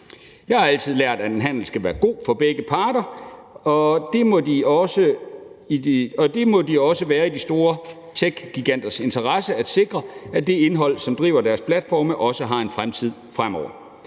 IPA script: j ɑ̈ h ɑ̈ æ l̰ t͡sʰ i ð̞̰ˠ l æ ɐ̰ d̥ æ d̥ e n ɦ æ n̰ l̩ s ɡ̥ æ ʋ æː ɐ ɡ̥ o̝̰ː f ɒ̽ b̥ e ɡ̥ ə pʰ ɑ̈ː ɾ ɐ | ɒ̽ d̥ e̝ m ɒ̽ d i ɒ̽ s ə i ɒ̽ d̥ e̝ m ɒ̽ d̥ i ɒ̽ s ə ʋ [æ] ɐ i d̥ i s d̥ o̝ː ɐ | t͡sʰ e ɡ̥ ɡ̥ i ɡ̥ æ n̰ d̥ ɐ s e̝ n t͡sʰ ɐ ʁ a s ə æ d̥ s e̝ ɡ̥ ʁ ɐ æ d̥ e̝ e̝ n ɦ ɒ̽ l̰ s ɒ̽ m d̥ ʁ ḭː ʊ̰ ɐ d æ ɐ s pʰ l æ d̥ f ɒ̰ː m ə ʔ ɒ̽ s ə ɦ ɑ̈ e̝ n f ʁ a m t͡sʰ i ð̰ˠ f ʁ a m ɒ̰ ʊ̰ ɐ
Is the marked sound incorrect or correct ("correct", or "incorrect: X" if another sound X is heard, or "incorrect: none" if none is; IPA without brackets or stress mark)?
incorrect: æː